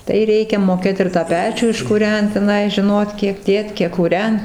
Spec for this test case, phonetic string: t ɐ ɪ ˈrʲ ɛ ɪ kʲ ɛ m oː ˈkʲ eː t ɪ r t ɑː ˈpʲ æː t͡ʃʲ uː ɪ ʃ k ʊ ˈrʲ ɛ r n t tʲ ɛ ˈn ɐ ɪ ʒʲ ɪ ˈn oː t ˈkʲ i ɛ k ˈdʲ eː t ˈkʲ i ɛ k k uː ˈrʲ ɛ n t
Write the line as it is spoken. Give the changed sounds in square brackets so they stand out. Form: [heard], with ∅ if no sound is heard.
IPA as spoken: t ɐ ɪ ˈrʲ ɛ ɪ kʲ ɛ m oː ˈkʲ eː t ɪ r t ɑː ˈpʲ æː t͡ʃʲ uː ɪ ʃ k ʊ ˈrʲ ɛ [∅] n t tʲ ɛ ˈn ɐ ɪ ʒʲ ɪ ˈn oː t ˈkʲ i ɛ k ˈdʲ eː t ˈkʲ i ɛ k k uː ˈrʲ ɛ n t